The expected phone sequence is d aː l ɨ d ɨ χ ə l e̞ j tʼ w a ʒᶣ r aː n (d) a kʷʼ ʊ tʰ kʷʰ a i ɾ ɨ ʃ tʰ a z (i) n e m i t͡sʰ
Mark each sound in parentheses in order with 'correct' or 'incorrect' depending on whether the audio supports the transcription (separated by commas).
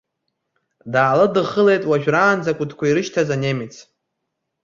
incorrect, incorrect